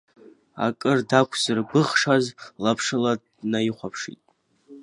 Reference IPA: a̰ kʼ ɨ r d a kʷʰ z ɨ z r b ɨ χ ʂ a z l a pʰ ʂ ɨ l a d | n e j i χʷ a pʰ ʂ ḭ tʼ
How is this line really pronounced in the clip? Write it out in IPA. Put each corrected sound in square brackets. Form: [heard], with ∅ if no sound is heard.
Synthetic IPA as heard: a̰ kʼ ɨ r d a kʷʰ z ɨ [∅] r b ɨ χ ʂ a z l a pʰ ʂ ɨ l a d | n [a] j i χʷ a pʰ ʂ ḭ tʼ